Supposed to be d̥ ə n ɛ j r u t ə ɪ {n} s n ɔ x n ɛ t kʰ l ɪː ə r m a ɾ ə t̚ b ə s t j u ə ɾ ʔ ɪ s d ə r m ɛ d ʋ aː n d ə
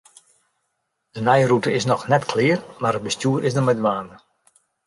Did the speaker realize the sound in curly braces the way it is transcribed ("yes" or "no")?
no